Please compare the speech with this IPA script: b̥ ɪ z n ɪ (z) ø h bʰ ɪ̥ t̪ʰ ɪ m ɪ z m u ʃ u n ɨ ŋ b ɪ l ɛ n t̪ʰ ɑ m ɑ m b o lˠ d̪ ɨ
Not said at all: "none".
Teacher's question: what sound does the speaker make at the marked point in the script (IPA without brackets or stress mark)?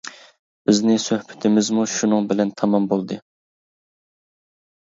s